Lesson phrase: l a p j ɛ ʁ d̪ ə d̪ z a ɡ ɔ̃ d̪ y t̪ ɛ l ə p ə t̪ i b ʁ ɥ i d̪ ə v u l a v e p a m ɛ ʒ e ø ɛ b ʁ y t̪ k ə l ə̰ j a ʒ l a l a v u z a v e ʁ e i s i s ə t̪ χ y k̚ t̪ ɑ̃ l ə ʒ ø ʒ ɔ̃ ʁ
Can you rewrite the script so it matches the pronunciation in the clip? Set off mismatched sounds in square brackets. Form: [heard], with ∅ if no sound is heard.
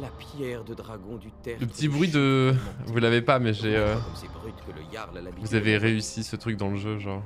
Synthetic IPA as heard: l a p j ɛ ʁ d̪ ə d̪ [ʁ] a ɡ ɔ̃ d̪ y t̪ ɛ l ə p ə t̪ i b ʁ ɥ i d̪ ə v u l a v e p a m ɛ ʒ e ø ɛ b ʁ y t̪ k ə l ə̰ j a [ʁ] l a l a v u z a v e ʁ e [y] s i s ə t̪ χ y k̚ [d̪] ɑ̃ l ə ʒ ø ʒ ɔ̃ ʁ

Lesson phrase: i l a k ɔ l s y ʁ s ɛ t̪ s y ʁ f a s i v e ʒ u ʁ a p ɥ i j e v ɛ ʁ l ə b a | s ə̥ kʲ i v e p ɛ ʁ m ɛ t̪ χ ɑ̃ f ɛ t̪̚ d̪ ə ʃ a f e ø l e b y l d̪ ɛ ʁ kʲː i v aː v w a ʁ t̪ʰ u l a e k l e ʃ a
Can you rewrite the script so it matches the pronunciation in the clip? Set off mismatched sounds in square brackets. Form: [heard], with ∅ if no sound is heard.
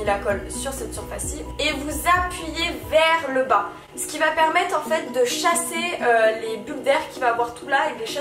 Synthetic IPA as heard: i l a k ɔ l s y ʁ s ɛ t̪ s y ʁ f a s i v e [v] u [z] a p ɥ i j e v ɛ ʁ l ə b a | s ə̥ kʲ i v [a] p ɛ ʁ m ɛ t̪ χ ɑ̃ f ɛ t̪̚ d̪ ə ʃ a [s] e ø l e b y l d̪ ɛ ʁ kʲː i v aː v w a ʁ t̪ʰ u l a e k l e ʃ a

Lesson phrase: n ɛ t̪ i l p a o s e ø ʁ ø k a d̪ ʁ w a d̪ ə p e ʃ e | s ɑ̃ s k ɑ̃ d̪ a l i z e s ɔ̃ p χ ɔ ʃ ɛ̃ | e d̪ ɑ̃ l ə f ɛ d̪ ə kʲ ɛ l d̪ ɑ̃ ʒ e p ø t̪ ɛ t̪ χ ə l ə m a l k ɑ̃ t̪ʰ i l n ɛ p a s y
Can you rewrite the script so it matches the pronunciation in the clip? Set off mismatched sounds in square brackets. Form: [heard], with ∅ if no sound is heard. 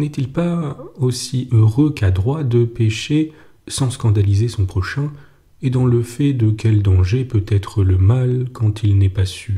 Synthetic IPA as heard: n ɛ t̪ i l p a o s [i] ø ʁ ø k a d̪ ʁ w a d̪ ə p e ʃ e | s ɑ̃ s k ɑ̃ d̪ a l i z e s ɔ̃ p χ ɔ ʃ ɛ̃ | e d̪ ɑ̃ l ə f ɛ d̪ ə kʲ ɛ l d̪ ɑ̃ ʒ e p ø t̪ ɛ t̪ χ ə l ə m a l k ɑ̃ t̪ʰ i l n ɛ p a s y

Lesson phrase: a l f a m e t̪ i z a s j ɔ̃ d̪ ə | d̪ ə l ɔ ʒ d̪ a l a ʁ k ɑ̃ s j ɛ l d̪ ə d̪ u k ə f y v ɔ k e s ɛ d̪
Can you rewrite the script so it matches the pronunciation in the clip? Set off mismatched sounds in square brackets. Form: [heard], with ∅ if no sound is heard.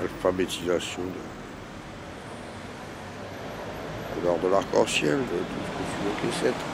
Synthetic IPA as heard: a l f a [b] e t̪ i z a s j ɔ̃ d̪ ə | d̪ ə l ɔ [ʁ] d̪ [ə] l a ʁ k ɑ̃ s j ɛ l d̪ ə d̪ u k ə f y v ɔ k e s ɛ [t̪]

